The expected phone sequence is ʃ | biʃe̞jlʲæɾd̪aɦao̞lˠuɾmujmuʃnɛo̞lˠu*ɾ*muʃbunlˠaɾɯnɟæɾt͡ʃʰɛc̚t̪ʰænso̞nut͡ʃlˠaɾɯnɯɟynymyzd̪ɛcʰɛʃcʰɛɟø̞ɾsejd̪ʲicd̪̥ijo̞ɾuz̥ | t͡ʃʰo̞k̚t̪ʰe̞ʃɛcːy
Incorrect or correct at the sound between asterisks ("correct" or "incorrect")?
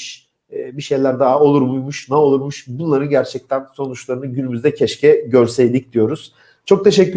correct